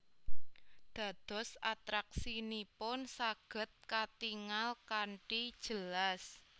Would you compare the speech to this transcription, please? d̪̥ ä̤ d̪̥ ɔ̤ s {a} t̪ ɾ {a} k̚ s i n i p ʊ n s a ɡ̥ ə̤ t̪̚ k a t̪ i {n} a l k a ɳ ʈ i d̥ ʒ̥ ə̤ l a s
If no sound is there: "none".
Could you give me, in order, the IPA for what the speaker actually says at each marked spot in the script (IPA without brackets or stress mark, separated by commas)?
a, a, ŋ